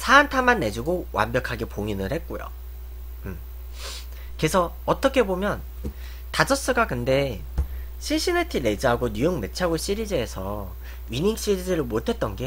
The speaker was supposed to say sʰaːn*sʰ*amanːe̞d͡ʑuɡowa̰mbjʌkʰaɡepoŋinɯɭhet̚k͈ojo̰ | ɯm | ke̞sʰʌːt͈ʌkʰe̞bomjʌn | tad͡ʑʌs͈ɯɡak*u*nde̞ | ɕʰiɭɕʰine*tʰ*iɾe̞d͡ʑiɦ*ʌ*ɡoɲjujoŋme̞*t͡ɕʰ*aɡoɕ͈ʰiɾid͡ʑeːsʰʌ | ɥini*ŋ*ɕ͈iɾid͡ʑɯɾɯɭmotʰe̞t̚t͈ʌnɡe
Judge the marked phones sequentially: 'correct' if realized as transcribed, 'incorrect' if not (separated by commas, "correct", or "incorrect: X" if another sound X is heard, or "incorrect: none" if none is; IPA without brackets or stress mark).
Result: incorrect: tʰ, incorrect: ɯ, correct, incorrect: a, correct, correct